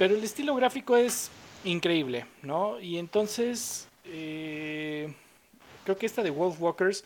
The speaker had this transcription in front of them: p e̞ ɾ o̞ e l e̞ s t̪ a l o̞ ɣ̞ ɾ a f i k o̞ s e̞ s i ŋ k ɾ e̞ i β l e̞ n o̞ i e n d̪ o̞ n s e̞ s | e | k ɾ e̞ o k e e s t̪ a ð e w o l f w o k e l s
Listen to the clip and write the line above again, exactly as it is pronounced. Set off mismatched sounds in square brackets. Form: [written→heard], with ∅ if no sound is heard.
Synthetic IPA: p e̞ ɾ o̞ e l e̞ s t̪ [a→i] l o̞ ɣ̞ ɾ a f i k o̞ [s→∅] e̞ s i ŋ k ɾ e̞ i β l e̞ n o̞ i e n [d̪→t̪] o̞ n s e̞ s | e | k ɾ e̞ o k e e s t̪ a ð e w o l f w o k e [l→ɾ] s